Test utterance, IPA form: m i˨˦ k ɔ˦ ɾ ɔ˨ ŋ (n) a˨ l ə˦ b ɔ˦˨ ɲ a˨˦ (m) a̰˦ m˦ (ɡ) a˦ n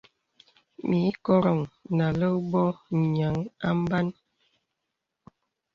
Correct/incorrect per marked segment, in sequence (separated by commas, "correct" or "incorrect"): correct, incorrect, incorrect